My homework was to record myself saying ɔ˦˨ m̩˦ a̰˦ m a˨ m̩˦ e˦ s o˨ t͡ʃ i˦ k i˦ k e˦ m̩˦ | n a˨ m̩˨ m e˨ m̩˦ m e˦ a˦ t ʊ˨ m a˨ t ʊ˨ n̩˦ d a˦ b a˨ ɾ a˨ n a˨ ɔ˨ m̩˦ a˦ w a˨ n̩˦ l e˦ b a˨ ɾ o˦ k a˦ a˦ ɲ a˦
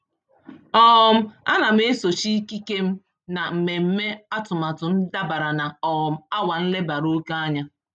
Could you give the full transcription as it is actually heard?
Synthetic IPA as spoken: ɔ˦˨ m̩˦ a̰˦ n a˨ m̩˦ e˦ s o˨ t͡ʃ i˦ k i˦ k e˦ m̩˦ | n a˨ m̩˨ m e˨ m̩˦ m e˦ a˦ t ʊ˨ m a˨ t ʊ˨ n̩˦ d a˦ b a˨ ɾ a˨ n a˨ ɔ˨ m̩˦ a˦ w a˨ n̩˦ l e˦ b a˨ ɾ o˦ k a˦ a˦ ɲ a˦